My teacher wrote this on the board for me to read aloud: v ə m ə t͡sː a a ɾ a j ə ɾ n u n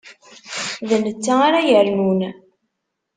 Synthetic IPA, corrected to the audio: ð ə n ə t͡sː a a ɾ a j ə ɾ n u n